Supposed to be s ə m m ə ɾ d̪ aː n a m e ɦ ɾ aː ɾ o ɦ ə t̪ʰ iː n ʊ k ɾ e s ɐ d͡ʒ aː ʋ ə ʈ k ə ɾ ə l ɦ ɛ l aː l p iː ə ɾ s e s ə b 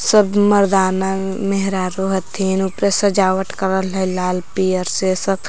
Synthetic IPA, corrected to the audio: s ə b m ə ɾ d̪ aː n a m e ɦ ɾ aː ɾ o ɦ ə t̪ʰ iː n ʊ p ɾ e s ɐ d͡ʒ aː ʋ ə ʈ k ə ɾ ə l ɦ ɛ l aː l p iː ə ɾ s e s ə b